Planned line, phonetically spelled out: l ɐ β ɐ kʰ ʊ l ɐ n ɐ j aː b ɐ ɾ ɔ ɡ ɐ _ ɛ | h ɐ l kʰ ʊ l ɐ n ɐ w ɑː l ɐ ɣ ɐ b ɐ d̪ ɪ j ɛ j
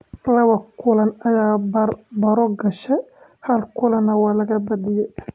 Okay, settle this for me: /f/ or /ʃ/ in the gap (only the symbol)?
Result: ʃ